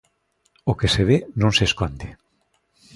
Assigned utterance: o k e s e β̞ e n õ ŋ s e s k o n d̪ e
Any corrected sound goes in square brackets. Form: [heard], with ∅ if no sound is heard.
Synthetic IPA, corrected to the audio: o k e s e β̞ e n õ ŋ s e s k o n d̪ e